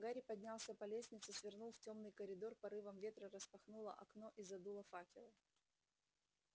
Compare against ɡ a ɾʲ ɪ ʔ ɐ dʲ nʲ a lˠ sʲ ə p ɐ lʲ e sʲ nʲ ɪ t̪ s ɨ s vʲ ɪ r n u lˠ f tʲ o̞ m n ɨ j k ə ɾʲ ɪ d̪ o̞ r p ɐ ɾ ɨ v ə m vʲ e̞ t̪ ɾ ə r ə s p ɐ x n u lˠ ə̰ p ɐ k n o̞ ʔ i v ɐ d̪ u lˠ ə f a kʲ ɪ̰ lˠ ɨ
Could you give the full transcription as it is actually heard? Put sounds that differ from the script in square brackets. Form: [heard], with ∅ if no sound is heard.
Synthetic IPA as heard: ɡ a ɾʲ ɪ [p] ɐ dʲ nʲ a lˠ sʲ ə p ɐ lʲ e sʲ nʲ ɪ t̪ s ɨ s vʲ ɪ r n u lˠ f tʲ o̞ m n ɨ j k ə ɾʲ ɪ d̪ o̞ r p ɐ ɾ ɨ v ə m vʲ e̞ t̪ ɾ ə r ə s p ɐ x n u lˠ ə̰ [ʔ] ɐ k n o̞ ʔ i [z] ɐ d̪ u lˠ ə f a kʲ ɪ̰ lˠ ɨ